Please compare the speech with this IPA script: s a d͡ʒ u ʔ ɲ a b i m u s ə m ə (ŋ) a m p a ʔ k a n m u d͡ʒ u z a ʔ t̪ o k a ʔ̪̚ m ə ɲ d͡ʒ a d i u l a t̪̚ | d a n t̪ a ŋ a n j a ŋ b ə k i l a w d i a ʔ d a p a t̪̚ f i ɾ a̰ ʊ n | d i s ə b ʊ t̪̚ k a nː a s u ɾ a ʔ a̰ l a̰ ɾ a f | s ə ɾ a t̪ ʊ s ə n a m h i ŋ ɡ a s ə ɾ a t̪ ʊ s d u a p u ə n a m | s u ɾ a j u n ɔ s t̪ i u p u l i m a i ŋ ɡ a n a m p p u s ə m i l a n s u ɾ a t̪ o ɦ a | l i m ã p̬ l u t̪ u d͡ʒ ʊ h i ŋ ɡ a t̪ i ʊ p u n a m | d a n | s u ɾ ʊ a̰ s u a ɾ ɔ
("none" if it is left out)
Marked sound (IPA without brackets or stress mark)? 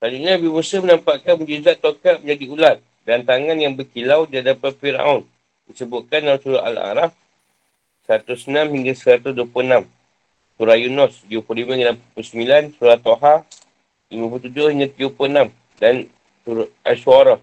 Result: n